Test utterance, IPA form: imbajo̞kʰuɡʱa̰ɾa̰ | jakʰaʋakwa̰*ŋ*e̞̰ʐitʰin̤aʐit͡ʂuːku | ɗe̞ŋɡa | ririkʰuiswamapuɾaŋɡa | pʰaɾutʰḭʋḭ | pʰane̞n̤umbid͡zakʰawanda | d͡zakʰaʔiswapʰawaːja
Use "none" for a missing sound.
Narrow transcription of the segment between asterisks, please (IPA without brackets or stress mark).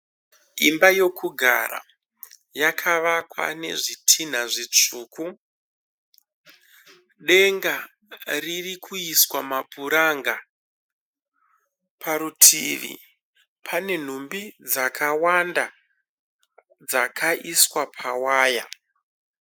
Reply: n